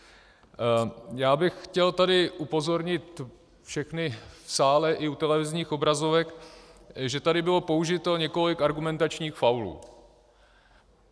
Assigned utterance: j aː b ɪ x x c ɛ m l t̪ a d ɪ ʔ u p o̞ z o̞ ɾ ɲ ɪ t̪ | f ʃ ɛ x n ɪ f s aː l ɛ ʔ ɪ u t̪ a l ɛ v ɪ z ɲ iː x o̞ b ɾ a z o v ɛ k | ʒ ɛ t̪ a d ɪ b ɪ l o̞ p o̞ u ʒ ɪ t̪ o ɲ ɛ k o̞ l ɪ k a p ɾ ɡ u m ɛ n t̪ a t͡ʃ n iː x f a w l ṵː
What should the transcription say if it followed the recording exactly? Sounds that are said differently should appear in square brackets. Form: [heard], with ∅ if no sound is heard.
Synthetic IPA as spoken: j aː b ɪ x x c ɛ [∅] l t̪ a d ɪ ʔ u p o̞ z o̞ ɾ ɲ ɪ t̪ | f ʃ ɛ x n ɪ f s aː l ɛ ʔ ɪ u t̪ [ɛ] l ɛ v ɪ z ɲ iː x o̞ b ɾ a z o v ɛ k | ʒ ɛ t̪ a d ɪ b ɪ l o̞ p o̞ u ʒ ɪ t̪ o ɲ ɛ k o̞ l ɪ k a [∅] ɾ ɡ u m ɛ n t̪ a t͡ʃ [ɲ] iː x f a w l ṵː